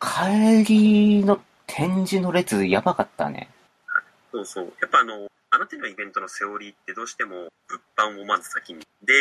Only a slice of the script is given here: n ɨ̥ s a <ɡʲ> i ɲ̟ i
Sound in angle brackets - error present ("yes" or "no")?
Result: yes